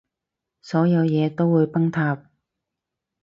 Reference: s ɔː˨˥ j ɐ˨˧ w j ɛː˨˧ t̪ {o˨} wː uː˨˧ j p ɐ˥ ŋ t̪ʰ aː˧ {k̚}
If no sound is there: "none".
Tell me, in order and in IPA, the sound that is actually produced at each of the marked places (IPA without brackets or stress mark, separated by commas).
o˥, p̚